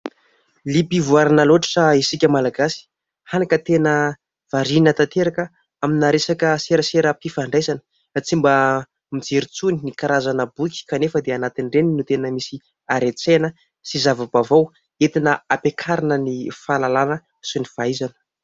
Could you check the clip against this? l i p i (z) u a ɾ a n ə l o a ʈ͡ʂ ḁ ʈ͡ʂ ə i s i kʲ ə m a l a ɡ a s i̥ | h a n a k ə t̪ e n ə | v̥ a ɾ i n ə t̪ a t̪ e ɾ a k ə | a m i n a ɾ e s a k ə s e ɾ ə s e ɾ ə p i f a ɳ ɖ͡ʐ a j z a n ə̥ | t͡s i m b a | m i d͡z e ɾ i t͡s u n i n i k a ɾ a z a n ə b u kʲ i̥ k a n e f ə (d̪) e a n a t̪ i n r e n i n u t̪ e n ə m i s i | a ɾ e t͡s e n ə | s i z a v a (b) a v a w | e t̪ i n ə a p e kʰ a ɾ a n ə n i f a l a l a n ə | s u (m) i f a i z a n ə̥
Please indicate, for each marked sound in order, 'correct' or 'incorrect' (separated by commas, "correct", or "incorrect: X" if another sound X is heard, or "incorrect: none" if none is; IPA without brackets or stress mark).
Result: incorrect: v, correct, correct, incorrect: n